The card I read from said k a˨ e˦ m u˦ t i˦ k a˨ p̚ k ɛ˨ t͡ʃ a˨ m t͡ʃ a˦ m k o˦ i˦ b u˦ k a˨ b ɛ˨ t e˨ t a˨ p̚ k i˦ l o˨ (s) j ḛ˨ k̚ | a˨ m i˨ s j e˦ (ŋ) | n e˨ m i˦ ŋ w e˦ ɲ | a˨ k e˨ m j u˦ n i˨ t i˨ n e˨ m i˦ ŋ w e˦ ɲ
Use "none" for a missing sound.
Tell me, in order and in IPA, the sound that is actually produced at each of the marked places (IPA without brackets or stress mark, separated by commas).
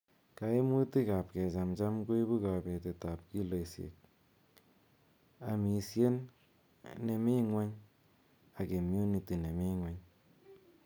s, n